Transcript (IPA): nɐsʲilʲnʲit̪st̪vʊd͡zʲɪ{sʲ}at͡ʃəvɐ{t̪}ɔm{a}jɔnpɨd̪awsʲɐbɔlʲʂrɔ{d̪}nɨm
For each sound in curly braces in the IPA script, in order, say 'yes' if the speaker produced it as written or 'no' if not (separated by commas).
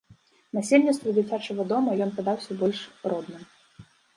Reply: no, no, no, yes